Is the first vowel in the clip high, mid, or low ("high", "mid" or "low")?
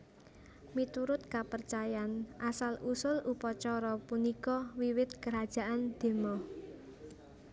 high